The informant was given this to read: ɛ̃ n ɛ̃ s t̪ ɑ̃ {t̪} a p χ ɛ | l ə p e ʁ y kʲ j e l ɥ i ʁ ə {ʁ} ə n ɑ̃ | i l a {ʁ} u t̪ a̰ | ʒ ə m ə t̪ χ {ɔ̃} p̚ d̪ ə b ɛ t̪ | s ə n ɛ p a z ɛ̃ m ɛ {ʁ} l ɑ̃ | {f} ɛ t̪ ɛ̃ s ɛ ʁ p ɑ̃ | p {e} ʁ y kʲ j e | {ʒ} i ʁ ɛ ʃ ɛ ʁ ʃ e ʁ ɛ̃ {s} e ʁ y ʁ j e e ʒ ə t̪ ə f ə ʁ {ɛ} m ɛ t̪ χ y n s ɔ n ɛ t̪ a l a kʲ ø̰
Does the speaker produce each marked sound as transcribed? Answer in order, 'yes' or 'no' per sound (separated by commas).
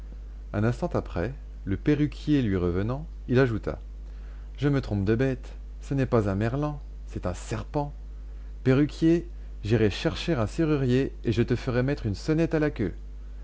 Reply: yes, no, no, yes, yes, no, yes, yes, yes, yes